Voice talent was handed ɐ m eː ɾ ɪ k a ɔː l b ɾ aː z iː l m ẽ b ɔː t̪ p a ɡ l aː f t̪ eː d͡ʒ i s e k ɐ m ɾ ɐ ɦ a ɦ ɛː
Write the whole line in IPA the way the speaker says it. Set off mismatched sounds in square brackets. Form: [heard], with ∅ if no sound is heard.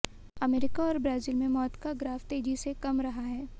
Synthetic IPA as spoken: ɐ m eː ɾ ɪ k a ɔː [ɾ] b ɾ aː z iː l m ẽ [m] ɔː t̪ [k] a ɡ [ɾ] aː f t̪ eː d͡ʒ i s e k ɐ m ɾ ɐ ɦ a ɦ ɛː